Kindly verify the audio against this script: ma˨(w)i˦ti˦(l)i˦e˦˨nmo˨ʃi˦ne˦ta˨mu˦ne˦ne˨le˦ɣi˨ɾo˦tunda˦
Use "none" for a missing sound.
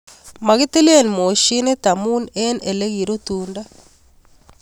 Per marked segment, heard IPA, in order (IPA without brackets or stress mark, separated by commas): ɣ, l